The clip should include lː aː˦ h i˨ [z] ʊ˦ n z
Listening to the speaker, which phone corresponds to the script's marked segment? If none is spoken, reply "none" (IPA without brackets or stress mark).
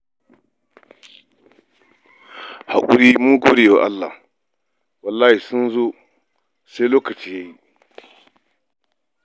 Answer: s